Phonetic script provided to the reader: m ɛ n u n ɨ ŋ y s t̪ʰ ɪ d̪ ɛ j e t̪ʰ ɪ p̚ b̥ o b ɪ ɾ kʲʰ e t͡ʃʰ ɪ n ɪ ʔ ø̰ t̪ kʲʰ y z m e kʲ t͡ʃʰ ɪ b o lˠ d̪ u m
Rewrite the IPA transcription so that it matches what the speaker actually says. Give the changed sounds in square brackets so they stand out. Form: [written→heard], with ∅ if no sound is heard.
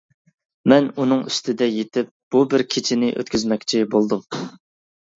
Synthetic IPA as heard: m ɛ n u n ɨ ŋ y s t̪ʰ ɪ d̪ ɛ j e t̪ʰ ɪ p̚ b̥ [o→u] b ɪ ɾ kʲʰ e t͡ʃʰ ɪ n ɪ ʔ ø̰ t̪ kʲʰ y z m [e→ɛ] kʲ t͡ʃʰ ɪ b o lˠ d̪ u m